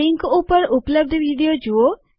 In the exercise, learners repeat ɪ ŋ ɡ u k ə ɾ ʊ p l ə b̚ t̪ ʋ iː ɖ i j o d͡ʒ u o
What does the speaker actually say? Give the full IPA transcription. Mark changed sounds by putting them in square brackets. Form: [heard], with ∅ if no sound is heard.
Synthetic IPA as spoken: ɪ ŋ [k] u [p] ə ɾ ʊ p l ə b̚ [d̪] ʋ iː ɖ i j o d͡ʒ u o